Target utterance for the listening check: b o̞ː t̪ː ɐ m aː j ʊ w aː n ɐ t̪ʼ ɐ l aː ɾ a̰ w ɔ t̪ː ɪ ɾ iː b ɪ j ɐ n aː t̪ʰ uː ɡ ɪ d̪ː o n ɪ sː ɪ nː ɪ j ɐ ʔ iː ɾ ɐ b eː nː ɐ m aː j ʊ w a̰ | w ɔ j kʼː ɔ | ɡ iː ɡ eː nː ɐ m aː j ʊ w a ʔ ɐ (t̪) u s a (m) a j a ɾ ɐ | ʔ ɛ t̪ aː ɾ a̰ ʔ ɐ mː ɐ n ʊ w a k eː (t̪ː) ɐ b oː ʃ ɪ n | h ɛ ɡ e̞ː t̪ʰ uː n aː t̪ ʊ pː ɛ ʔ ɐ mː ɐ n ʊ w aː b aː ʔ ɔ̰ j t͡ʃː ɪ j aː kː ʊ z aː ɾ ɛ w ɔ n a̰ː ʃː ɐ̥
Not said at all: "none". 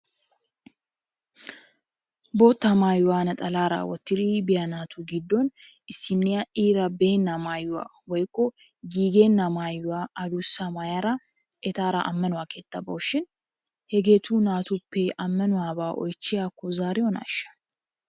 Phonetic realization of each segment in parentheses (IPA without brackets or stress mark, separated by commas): d̪, m, t̪ː